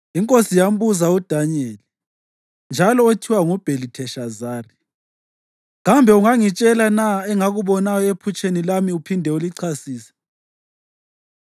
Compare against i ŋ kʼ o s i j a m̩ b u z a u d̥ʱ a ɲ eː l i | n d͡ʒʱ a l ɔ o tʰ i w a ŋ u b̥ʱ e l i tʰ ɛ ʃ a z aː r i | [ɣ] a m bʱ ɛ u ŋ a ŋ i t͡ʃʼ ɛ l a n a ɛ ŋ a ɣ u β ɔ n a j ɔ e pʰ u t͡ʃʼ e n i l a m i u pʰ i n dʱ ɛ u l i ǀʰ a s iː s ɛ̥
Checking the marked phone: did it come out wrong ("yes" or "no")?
no